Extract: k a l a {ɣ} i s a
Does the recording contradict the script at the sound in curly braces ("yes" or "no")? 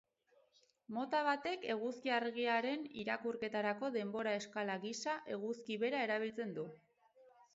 no